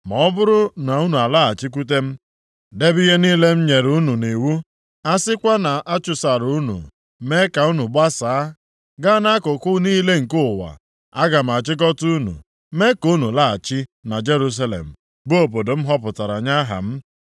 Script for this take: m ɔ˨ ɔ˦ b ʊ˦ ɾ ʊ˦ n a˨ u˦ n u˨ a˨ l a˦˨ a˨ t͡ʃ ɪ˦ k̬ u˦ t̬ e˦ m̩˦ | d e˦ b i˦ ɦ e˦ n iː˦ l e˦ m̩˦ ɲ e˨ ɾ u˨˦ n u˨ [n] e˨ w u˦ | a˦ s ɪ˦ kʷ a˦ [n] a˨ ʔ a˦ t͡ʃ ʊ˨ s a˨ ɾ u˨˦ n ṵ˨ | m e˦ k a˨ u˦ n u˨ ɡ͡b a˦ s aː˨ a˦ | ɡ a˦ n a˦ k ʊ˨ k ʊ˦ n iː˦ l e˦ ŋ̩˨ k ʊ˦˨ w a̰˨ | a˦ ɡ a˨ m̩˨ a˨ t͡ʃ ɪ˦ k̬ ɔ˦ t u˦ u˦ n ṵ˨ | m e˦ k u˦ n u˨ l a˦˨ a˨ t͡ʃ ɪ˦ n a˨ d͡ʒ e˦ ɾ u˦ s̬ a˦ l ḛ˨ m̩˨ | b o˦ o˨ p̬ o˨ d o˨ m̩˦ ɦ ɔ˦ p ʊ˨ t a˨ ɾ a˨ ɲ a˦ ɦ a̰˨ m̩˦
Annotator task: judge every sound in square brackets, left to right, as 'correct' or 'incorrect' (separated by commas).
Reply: correct, correct